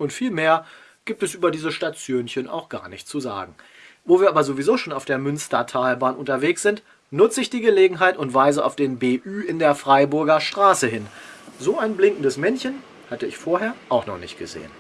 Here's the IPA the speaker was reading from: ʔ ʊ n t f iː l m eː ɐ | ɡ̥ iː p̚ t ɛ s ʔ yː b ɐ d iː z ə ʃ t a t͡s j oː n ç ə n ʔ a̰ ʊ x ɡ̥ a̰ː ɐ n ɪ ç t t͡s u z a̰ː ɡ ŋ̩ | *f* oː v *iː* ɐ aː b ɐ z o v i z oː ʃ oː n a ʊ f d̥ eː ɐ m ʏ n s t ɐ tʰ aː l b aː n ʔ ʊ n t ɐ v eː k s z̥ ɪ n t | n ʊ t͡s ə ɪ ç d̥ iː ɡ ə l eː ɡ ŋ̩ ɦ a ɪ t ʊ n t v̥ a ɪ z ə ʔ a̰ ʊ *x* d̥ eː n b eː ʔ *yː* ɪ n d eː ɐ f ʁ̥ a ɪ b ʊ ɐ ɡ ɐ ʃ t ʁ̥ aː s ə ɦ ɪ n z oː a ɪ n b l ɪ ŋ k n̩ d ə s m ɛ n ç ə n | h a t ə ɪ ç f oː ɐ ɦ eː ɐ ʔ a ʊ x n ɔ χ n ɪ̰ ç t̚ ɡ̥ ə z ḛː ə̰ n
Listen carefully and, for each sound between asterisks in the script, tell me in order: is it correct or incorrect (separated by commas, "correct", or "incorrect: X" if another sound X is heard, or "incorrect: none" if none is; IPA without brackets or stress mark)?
incorrect: v, correct, incorrect: f, correct